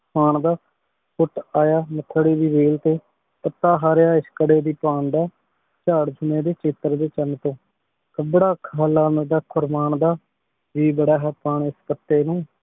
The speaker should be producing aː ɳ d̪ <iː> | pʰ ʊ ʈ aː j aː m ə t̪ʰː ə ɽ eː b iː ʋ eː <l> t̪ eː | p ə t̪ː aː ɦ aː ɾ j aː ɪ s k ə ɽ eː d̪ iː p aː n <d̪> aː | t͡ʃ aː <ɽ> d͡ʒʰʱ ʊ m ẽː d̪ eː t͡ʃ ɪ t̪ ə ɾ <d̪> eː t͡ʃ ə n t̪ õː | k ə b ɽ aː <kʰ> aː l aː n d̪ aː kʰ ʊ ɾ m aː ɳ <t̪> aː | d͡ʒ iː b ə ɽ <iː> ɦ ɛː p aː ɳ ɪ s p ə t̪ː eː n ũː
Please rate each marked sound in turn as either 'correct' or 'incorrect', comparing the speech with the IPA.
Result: incorrect, correct, correct, correct, correct, correct, incorrect, incorrect

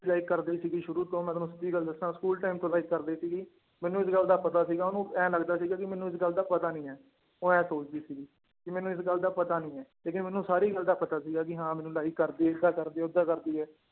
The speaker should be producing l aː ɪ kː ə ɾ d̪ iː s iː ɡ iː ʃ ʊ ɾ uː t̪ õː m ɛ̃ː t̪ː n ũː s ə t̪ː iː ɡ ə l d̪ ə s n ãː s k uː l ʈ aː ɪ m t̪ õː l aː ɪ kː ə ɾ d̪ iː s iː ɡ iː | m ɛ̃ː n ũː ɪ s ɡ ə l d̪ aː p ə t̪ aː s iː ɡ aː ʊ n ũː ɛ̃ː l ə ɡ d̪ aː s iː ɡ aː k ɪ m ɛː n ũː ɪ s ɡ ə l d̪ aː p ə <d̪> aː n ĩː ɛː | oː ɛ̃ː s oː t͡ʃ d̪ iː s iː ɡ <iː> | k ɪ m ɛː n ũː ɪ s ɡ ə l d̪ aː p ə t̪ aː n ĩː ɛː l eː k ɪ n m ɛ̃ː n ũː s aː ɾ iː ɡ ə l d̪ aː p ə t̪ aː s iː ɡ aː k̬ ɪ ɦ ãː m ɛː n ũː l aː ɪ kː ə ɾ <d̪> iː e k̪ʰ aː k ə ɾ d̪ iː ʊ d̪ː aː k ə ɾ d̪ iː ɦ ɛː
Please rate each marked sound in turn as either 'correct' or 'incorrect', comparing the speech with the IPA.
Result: incorrect, correct, correct

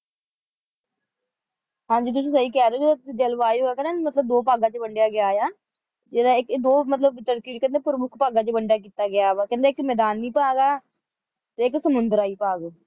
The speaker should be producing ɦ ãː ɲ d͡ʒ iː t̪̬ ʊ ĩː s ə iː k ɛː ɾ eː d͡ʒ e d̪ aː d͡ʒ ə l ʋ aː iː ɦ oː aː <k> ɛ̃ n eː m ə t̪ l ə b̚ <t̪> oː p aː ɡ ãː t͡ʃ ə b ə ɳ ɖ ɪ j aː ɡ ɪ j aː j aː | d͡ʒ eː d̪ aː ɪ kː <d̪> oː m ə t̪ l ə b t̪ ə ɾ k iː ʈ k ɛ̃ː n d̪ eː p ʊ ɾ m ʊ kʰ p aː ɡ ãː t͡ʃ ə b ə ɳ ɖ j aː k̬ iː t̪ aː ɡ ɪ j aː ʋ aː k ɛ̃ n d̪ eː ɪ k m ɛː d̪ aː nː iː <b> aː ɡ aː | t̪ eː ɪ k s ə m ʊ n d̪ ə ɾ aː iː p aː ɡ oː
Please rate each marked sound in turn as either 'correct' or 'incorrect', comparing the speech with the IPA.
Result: correct, incorrect, correct, incorrect

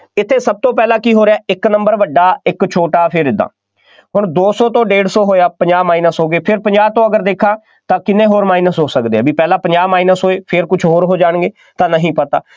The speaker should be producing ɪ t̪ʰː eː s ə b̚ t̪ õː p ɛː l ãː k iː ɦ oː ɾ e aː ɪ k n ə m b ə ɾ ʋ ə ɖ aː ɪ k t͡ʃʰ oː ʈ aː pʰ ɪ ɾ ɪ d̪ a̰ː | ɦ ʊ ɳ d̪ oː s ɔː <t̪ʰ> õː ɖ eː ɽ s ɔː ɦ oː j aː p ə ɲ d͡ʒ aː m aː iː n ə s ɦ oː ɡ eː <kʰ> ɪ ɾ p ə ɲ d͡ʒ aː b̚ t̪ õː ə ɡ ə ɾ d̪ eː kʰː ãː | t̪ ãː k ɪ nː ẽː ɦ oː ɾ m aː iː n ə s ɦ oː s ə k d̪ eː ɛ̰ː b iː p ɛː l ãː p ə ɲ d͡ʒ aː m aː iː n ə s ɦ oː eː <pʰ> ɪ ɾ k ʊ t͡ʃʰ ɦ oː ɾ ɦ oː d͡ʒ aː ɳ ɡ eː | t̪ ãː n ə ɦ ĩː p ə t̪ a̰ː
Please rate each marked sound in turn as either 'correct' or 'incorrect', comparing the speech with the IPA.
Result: incorrect, incorrect, correct

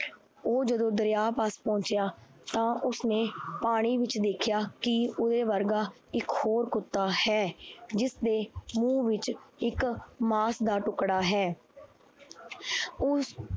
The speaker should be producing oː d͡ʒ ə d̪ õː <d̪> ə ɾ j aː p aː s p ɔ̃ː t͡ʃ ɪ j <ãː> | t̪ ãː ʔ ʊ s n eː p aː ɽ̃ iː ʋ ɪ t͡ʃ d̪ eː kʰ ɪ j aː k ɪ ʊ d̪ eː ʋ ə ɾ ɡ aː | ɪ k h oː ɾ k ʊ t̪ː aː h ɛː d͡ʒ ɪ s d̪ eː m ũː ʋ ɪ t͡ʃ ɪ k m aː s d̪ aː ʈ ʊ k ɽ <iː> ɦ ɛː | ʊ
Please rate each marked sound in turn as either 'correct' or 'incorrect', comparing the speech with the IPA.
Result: correct, incorrect, incorrect

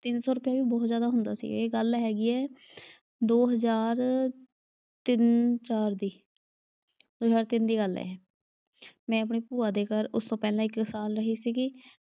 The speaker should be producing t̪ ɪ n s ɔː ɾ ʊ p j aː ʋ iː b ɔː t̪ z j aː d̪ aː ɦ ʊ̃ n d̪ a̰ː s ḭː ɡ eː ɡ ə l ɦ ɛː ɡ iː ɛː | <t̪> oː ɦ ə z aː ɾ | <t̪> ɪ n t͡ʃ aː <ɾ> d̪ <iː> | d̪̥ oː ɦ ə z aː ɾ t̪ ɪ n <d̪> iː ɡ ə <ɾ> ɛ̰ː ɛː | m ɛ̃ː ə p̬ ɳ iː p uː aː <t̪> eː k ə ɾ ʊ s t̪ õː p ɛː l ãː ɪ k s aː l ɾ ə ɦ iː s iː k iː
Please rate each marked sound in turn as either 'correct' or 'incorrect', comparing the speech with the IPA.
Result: incorrect, correct, correct, correct, correct, incorrect, incorrect

